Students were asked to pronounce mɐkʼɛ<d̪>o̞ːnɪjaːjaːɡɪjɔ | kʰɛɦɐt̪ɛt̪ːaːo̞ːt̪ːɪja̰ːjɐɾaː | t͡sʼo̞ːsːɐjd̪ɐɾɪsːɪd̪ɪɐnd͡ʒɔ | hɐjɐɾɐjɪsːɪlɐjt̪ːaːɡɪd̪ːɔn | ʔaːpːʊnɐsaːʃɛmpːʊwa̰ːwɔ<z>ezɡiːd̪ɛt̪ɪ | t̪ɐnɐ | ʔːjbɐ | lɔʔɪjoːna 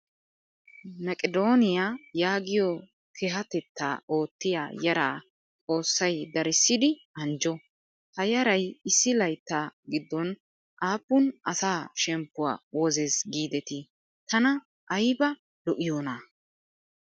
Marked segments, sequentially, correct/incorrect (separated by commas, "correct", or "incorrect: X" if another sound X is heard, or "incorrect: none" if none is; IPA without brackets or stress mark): correct, correct